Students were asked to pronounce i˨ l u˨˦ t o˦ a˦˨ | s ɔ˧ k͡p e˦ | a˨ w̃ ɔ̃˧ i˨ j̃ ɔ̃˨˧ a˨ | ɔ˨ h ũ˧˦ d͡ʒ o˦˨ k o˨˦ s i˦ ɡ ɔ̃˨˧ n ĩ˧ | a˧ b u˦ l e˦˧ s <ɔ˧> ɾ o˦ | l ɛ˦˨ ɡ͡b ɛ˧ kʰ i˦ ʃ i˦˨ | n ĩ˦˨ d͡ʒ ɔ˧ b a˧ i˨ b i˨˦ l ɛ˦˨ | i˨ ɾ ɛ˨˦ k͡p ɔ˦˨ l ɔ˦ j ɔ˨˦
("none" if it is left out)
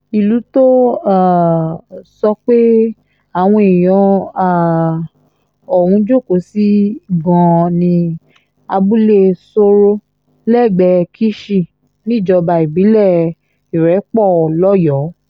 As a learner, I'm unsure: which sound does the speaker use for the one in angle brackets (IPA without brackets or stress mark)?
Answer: o˧